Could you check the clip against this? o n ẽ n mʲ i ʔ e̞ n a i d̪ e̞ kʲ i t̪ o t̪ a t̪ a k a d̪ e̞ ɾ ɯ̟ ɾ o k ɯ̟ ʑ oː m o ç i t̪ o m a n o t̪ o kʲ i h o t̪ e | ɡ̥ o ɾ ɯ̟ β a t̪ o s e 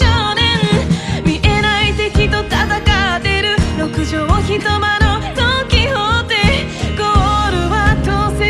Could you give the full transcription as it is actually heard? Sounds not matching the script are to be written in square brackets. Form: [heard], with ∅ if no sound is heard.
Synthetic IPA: o n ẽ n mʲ i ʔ e̞ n a i [t̪] e̞ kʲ i t̪ o t̪ a t̪ a k a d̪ e̞ ɾ ɯ̟ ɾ o k ɯ̟ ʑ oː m o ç i t̪ o m a n o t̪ o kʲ i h o t̪ e | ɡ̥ o ɾ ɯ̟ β a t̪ o s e

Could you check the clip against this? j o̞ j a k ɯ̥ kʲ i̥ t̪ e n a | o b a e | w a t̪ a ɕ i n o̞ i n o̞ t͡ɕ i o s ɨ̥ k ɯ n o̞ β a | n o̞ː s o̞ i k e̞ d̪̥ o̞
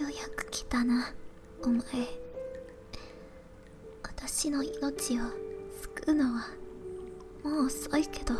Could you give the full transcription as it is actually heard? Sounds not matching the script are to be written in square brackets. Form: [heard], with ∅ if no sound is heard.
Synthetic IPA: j o̞ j a k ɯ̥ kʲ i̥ t̪ [a] n a | o [m] a e | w a t̪ a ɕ i n o̞ i n o̞ t͡ɕ i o s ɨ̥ k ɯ n o̞ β a | [m] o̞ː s o̞ i k e̞ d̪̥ o̞

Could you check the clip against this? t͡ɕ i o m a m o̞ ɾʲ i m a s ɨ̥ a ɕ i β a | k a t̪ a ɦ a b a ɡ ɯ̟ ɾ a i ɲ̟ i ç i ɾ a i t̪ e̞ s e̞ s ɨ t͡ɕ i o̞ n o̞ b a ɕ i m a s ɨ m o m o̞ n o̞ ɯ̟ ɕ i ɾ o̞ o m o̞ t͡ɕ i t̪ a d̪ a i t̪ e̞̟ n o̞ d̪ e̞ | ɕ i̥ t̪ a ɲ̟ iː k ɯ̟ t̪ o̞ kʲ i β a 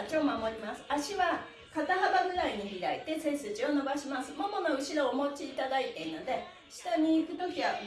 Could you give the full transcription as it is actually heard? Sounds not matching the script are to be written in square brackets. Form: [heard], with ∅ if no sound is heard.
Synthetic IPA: t͡ɕ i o m a m o̞ ɾʲ i m a s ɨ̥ a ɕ i β a | k a t̪ a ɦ a b a ɡ ɯ̟ ɾ a i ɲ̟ i ç i ɾ a i t̪ e̞ s e̞ s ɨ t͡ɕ i o̞ n o̞ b a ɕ i m a s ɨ m o m o̞ n o̞ ɯ̟ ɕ i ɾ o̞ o m o̞ t͡ɕ [iː] t̪ a d̪ a i t̪ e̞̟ n o̞ d̪ e̞ | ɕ i̥ t̪ a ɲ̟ iː k ɯ̟ t̪ o̞ kʲ i β a

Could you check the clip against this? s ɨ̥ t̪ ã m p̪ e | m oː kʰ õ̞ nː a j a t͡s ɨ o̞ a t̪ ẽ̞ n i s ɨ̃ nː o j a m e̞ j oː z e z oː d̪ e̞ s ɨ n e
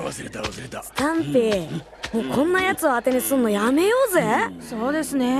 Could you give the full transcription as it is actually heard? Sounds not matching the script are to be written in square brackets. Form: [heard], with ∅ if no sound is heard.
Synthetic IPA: s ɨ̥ t̪ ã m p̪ e | m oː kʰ õ̞ nː a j a t͡s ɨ o̞ a t̪ [e̞] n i s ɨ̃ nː o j a m e̞ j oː z e [s] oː d̪ e̞ s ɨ n e

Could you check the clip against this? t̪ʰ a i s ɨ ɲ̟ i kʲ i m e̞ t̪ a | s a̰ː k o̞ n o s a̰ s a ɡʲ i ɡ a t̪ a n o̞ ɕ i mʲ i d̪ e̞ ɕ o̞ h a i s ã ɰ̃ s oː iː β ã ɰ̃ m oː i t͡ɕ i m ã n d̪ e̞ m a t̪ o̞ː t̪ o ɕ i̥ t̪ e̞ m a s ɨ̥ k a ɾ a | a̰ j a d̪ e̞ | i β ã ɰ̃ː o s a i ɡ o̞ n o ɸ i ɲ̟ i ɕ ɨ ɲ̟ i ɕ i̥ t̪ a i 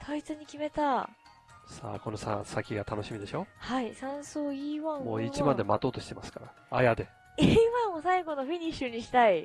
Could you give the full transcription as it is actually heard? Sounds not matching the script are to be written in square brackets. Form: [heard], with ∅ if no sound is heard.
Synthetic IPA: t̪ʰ a i [t͡s] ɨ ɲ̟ i kʲ i m e̞ t̪ a | s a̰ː k o̞ n o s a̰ s a [kʲ] i ɡ a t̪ a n o̞ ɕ i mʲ i d̪ e̞ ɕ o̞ h a i s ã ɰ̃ s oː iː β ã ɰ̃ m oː i t͡ɕ i m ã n d̪ e̞ m a t̪ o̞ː t̪ o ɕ i̥ t̪ e̞ m a s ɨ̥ k a ɾ a | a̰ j a d̪ e̞ | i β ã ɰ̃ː o s a i ɡ o̞ n o ɸ i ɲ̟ i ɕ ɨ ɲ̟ i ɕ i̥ t̪ a i

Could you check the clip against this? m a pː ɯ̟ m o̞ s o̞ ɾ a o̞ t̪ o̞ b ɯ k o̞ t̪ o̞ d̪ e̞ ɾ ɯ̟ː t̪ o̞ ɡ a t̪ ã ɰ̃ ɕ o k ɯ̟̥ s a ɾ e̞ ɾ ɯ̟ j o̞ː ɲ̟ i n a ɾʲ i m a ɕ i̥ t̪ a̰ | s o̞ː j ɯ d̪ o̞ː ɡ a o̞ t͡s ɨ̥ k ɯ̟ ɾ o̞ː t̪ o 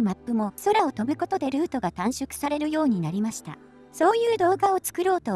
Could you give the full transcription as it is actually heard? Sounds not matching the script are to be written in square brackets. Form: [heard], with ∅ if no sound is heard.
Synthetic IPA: m a pː ɯ̟ m o̞ s o̞ ɾ a o̞ t̪ o̞ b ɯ k o̞ t̪ o̞ d̪ e̞ ɾ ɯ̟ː t̪ o̞ ɡ a t̪ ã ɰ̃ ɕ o k ɯ̟̥ s a ɾ e̞ ɾ ɯ̟ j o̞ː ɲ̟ i n a ɾʲ i m a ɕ i̥ t̪ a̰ | s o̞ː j [ɯː] d̪ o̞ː ɡ a o̞ t͡s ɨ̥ k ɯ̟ ɾ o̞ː t̪ o

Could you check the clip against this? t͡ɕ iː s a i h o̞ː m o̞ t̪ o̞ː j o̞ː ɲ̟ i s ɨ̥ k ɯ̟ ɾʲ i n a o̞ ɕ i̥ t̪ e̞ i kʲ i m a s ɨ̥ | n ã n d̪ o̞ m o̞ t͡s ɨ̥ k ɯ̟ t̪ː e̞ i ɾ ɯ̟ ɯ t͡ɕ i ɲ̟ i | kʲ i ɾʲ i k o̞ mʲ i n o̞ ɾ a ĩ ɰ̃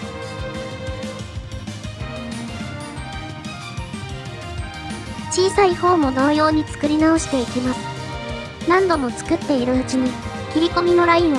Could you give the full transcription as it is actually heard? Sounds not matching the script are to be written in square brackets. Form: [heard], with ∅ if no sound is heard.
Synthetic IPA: t͡ɕ iː s a i h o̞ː m o̞ [d̪] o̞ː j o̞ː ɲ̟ i [t͡s] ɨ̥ k ɯ̟ ɾʲ i n a o̞ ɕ i̥ t̪ e̞ i kʲ i m a s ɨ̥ | n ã n d̪ o̞ m o̞ t͡s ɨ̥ k ɯ̟ t̪ː e̞ i ɾ ɯ̟ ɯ t͡ɕ i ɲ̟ i | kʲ i ɾʲ i k o̞ mʲ i n o̞ ɾ a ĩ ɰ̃

